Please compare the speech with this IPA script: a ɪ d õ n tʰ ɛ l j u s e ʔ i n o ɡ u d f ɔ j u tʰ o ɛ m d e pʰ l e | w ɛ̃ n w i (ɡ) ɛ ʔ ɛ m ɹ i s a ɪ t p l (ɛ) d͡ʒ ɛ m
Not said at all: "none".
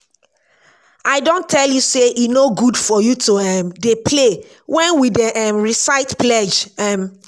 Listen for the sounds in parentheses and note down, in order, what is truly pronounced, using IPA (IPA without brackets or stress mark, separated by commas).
d, ɛ